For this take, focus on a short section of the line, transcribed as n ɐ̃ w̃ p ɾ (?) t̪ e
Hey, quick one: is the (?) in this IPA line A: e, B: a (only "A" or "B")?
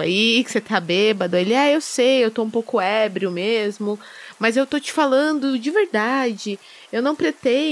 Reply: A